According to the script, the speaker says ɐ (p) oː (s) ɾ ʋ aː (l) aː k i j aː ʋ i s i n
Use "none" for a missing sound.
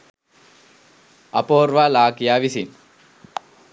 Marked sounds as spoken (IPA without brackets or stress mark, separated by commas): p, none, l